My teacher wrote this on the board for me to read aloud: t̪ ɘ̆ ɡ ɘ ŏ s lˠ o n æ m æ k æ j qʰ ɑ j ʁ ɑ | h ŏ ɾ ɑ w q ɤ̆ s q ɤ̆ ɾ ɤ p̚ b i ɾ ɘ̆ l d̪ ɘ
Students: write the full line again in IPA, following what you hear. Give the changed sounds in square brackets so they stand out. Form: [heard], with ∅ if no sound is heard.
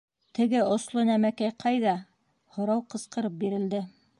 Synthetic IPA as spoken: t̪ ɘ̆ ɡ ɘ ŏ s lˠ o n æ m æ k æ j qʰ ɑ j [ð] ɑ | h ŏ ɾ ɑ w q ɤ̆ s q ɤ̆ ɾ ɤ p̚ b i ɾ ɘ̆ l d̪ ɘ